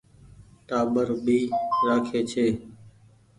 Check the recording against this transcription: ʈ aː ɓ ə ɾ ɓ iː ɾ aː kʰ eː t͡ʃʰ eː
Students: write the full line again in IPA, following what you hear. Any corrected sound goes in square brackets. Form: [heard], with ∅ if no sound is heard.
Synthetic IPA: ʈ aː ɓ ə ɾ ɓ iː ɾ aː kʰ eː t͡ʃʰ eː